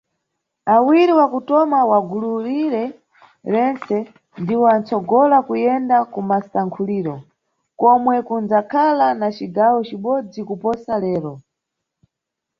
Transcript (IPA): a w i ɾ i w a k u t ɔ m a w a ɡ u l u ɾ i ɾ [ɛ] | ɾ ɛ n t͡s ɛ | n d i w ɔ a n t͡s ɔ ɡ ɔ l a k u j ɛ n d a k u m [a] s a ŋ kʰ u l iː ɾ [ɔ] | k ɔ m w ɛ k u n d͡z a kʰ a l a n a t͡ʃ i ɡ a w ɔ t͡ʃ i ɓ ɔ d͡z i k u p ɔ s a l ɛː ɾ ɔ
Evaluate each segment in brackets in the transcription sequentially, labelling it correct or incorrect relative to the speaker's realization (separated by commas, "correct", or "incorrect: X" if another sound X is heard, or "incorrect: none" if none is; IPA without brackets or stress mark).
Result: correct, correct, correct